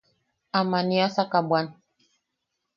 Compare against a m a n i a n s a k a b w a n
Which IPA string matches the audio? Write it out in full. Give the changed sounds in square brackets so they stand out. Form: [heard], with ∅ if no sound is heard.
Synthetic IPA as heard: a m a n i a [∅] s a k a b w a n